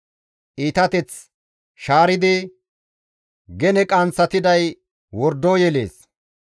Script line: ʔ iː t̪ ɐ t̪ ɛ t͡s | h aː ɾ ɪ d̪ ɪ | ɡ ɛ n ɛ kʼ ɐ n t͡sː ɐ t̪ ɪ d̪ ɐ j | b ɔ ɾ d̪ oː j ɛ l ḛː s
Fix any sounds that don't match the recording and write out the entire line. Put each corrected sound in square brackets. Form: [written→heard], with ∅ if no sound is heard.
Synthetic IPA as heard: ʔ iː t̪ ɐ t̪ ɛ t͡s | [h→ʃ] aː ɾ ɪ d̪ ɪ | ɡ ɛ n ɛ kʼ ɐ n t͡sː ɐ t̪ ɪ d̪ ɐ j | [b→w] ɔ ɾ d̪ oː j ɛ l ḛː s